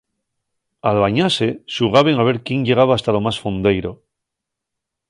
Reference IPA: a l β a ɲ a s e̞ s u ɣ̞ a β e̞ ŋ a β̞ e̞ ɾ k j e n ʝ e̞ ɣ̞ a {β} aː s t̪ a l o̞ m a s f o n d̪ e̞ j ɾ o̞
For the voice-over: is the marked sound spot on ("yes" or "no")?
yes